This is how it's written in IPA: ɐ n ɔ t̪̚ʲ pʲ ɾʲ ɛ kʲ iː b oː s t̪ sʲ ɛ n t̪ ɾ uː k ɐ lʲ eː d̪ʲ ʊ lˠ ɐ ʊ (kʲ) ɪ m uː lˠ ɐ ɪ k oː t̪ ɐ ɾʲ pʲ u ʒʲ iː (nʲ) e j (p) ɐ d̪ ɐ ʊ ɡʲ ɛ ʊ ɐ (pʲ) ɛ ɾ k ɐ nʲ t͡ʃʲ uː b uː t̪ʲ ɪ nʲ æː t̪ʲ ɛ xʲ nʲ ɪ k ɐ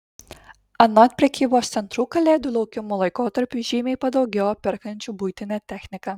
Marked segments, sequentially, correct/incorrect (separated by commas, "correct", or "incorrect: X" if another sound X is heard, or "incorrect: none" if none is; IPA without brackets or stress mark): correct, incorrect: mʲ, correct, correct